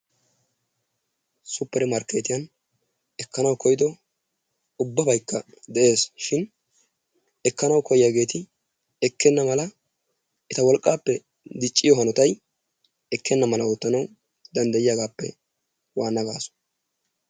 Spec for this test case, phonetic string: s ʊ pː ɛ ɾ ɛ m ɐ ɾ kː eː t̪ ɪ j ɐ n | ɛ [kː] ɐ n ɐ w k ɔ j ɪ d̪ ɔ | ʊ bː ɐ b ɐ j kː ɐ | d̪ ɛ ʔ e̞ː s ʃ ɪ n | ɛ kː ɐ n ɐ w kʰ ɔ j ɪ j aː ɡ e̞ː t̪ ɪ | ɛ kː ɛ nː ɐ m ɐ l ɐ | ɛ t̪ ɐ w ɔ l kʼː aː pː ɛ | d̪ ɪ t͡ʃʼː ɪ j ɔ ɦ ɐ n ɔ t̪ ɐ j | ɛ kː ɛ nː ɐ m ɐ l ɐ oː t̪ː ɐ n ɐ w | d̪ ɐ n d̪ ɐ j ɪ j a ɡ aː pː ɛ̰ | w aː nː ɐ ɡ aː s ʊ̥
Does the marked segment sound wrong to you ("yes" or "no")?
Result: no